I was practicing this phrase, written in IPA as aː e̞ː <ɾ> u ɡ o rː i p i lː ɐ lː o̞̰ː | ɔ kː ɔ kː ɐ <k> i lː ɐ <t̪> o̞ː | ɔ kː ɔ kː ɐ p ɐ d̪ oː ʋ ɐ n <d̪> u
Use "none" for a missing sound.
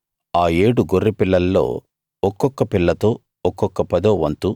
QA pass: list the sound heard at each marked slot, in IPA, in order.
ɽ, p, t̪, t̪

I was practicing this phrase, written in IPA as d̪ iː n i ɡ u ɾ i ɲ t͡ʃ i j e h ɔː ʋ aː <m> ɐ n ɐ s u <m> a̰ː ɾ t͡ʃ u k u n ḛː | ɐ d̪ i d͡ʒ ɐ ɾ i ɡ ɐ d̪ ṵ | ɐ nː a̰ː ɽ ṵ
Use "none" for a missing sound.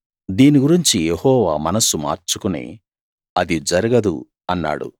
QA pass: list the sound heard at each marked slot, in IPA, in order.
m, m

